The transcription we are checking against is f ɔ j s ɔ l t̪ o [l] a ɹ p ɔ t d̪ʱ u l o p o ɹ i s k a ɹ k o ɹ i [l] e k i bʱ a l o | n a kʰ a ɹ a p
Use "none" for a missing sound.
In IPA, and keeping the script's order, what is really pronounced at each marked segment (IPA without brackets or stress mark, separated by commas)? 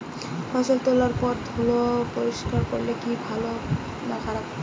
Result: l, l